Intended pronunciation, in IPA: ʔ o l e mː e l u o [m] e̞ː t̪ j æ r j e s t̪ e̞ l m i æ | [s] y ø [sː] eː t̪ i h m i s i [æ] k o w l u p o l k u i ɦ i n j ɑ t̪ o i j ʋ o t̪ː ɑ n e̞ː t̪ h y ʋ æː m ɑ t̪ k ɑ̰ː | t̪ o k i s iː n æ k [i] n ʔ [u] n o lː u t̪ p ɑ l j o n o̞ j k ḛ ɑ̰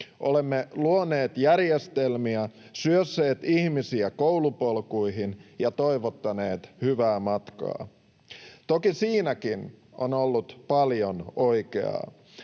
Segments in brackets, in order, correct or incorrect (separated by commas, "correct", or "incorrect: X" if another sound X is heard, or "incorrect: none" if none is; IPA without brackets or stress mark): incorrect: n, correct, correct, correct, correct, incorrect: o